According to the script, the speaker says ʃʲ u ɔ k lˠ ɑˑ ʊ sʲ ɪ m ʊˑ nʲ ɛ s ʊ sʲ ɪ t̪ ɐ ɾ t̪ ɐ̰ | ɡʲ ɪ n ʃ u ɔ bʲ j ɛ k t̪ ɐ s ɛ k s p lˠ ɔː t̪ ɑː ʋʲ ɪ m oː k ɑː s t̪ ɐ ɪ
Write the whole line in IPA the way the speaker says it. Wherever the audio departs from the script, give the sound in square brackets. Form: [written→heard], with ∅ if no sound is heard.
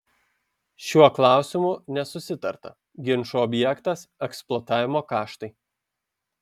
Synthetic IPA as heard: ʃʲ u ɔ k lˠ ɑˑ ʊ sʲ ɪ m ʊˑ nʲ ɛ s ʊ sʲ ɪ t̪ ɐ ɾ t̪ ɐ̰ | ɡʲ ɪ n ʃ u ɔ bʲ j ɛ k t̪ ɐ s ɛ k s p lˠ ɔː t̪ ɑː ʋʲ ɪ m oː k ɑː [s→ʃ] t̪ ɐ ɪ